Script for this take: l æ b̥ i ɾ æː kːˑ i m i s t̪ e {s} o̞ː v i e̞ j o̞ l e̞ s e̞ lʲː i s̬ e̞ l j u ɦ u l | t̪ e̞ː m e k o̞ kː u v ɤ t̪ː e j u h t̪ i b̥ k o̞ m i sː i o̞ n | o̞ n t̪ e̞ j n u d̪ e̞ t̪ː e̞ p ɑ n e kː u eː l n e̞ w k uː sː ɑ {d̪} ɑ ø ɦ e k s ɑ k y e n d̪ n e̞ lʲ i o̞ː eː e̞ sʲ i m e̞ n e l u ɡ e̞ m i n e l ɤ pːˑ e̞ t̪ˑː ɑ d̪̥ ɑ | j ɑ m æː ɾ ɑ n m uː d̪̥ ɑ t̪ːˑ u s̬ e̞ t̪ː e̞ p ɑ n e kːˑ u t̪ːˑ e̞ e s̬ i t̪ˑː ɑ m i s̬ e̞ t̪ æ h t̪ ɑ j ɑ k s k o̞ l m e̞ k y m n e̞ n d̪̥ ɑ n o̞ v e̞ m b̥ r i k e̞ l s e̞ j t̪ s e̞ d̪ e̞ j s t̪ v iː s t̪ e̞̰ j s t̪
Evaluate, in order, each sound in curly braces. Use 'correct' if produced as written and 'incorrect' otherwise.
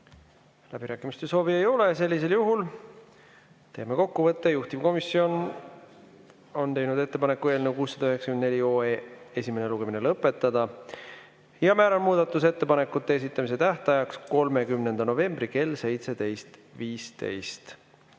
correct, correct

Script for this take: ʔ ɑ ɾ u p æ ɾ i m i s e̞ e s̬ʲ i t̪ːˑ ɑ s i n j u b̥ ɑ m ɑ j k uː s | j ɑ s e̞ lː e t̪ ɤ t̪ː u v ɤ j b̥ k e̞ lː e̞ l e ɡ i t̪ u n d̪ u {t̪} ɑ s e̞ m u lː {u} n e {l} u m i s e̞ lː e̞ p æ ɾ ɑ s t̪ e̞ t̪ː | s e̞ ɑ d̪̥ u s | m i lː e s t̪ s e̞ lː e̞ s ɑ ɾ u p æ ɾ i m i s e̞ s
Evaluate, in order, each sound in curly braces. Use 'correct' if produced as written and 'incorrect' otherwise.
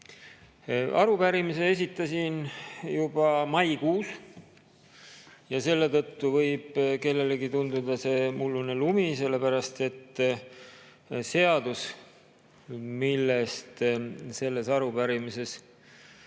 incorrect: d̪, correct, correct

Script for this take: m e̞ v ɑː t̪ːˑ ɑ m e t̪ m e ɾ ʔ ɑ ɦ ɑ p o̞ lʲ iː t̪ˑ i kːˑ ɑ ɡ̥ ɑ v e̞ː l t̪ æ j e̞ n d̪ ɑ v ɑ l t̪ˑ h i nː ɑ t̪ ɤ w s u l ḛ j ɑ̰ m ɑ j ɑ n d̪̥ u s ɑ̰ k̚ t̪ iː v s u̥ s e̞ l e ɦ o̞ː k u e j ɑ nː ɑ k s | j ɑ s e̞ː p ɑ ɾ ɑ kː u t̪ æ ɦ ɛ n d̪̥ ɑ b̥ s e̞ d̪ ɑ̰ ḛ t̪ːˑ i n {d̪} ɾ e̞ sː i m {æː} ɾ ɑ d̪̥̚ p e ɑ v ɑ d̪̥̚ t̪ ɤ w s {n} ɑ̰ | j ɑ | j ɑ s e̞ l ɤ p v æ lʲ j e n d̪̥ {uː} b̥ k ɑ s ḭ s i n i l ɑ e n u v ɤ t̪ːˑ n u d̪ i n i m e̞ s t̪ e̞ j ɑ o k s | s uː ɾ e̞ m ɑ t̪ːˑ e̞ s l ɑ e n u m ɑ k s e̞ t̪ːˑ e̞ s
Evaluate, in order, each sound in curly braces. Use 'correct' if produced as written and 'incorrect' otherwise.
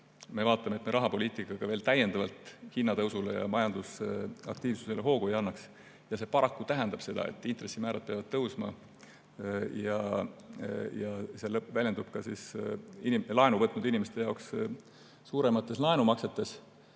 incorrect: t̪, correct, incorrect: m, incorrect: u

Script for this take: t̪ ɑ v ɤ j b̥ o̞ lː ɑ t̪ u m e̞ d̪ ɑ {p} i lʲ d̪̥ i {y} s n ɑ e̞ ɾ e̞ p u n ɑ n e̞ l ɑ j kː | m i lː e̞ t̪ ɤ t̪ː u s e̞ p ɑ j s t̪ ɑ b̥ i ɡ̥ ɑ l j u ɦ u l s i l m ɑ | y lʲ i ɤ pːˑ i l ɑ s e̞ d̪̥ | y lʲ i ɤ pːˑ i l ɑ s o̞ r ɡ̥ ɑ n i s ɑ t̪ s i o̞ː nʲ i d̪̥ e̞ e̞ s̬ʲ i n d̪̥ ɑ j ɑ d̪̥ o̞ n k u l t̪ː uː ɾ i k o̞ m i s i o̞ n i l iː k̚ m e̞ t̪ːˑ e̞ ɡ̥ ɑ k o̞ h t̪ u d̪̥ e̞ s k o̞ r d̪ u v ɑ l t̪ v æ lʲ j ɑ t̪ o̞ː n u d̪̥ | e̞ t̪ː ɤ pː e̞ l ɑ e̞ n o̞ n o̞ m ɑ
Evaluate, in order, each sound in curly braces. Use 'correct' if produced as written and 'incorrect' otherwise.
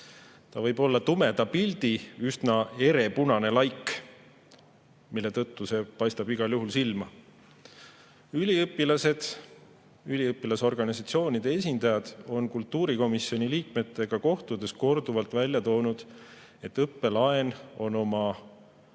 correct, correct

